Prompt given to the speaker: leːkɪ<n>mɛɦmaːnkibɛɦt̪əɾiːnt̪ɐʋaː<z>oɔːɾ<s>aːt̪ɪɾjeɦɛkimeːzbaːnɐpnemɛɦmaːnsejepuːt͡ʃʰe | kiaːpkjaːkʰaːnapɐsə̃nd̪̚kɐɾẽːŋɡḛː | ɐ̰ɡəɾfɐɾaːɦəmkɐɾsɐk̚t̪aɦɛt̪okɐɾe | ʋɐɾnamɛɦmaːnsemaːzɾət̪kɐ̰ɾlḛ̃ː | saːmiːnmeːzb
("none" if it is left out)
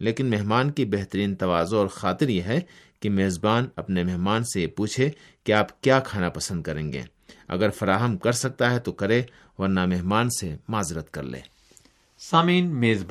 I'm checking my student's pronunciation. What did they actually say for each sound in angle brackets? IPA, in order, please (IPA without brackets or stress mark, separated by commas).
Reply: n, z, x